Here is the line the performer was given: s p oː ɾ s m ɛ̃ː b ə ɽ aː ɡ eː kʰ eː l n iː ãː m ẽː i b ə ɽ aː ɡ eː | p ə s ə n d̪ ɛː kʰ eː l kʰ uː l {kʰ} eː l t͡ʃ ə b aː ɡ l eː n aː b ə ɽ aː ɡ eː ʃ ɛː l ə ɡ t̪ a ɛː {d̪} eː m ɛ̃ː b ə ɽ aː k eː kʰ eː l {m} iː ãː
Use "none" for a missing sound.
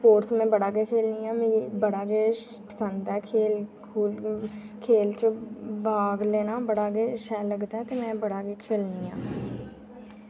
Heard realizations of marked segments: kʰ, t̪, n

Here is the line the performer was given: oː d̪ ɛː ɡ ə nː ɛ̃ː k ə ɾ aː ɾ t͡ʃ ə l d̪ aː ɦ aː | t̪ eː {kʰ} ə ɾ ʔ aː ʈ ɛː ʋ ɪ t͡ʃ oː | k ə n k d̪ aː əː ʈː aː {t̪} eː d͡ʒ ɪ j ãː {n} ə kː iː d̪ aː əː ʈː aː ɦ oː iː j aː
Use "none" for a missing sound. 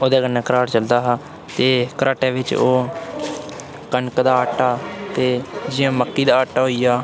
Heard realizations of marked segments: k, t̪, m

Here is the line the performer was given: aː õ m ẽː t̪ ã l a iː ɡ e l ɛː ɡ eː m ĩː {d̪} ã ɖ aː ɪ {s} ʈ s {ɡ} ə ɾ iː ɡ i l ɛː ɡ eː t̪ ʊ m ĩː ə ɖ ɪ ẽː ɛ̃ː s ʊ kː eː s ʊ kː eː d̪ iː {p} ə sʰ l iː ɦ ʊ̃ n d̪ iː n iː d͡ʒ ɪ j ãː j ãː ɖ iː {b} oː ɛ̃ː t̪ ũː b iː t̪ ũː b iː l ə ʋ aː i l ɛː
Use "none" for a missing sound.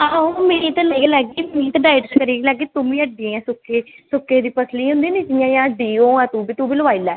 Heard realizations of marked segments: t̪, none, k, p, none

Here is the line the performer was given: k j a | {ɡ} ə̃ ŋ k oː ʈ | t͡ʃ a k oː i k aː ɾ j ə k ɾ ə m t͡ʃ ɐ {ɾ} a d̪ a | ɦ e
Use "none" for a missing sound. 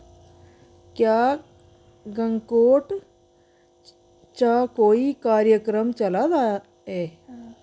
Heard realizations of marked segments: ɡ, l

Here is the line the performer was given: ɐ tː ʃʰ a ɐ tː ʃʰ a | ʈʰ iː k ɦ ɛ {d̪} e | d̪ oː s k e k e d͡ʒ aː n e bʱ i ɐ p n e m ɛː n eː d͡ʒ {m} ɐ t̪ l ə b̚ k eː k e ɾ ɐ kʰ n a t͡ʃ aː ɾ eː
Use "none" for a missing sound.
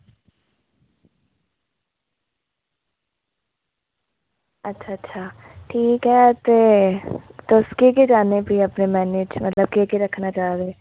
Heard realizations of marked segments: t̪, m

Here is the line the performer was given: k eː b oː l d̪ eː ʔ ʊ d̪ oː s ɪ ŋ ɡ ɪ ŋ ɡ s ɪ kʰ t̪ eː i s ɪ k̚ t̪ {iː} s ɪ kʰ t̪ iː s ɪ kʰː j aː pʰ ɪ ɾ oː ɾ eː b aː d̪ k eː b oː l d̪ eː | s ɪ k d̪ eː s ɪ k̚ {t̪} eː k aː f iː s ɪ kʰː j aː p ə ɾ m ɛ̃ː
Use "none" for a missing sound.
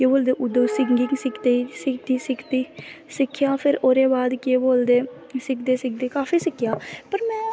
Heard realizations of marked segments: iː, d̪

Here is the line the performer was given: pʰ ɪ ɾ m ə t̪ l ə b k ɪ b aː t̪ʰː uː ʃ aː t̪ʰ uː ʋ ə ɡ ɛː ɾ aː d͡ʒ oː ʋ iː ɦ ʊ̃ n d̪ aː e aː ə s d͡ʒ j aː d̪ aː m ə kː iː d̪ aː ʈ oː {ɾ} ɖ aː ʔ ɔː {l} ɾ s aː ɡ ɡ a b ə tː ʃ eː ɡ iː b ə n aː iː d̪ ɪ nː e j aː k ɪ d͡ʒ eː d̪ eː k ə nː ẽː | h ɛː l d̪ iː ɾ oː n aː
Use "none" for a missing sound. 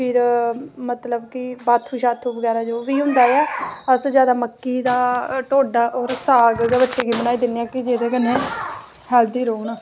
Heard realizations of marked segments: none, none

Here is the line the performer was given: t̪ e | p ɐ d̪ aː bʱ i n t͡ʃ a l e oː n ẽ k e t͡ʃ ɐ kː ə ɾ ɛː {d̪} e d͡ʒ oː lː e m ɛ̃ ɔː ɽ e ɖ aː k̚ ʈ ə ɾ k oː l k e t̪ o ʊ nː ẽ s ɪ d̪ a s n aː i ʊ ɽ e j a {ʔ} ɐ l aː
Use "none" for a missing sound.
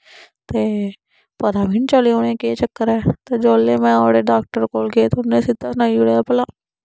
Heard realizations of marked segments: t̪, p

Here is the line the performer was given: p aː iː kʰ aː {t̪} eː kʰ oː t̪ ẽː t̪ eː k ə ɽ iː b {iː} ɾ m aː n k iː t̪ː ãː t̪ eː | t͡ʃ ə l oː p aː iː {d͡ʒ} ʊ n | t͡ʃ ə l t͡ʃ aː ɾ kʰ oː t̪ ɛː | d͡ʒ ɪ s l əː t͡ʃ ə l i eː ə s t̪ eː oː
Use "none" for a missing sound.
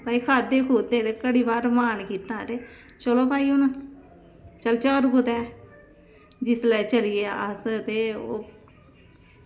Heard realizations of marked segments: d̪, aː, none

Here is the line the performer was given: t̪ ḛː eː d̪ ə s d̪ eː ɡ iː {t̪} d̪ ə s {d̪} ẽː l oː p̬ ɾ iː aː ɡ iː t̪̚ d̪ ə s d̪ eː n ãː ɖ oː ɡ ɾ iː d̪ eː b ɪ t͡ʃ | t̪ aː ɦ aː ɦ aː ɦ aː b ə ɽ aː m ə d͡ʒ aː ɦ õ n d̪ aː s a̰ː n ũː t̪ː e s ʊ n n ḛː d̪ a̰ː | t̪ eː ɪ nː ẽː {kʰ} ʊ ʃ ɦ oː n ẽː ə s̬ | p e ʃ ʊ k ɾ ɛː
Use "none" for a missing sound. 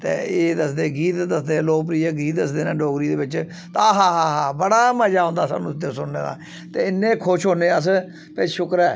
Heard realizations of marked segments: t̪, d̪, kʰ

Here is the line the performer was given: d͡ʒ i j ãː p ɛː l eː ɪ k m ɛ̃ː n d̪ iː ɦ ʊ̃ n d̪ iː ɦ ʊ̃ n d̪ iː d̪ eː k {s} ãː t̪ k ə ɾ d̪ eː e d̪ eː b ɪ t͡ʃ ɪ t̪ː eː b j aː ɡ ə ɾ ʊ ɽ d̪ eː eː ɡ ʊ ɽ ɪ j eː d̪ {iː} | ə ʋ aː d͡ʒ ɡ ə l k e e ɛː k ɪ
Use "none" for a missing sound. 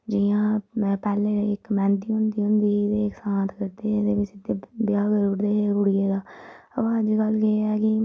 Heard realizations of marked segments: s, aː

